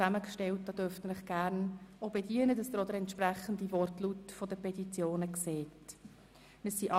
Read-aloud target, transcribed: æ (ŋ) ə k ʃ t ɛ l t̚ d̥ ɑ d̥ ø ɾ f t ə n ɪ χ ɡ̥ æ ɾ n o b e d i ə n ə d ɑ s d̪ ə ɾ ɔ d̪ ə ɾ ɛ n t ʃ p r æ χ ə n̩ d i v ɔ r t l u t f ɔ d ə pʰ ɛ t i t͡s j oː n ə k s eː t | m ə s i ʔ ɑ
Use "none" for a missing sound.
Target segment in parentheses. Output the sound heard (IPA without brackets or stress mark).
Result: m